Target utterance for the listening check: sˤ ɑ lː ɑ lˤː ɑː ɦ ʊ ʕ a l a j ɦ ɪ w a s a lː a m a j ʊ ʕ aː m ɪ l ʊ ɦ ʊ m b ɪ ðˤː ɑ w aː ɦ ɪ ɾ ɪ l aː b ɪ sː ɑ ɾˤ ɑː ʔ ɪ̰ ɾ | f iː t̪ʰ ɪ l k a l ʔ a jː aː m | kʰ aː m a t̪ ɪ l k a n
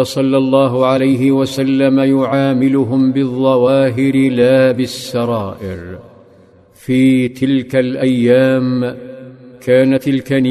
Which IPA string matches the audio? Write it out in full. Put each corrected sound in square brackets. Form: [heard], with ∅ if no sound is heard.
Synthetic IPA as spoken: sˤ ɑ lː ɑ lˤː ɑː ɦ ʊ ʕ a l a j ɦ ɪ w a s a lː a m a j ʊ ʕ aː m ɪ l ʊ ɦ ʊ m b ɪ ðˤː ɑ w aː ɦ ɪ ɾ ɪ l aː b ɪ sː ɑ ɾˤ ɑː ʔ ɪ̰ ɾ | f iː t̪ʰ ɪ l k a l ʔ a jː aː m | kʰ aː [n] a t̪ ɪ l k a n